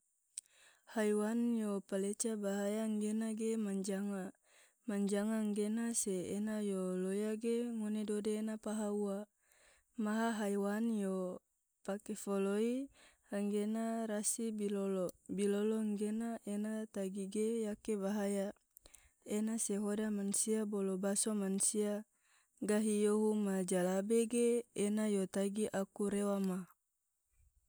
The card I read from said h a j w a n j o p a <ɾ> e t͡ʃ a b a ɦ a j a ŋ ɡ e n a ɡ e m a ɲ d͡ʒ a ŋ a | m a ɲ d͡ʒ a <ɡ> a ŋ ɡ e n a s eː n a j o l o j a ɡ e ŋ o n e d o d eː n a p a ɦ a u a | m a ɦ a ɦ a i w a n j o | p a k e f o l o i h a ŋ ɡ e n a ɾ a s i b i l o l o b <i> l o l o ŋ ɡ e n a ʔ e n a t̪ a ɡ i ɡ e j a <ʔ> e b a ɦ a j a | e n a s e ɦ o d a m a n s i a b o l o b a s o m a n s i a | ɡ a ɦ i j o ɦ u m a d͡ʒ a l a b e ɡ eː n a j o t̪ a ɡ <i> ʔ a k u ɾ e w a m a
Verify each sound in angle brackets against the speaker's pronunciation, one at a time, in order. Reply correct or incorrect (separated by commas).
incorrect, incorrect, correct, incorrect, correct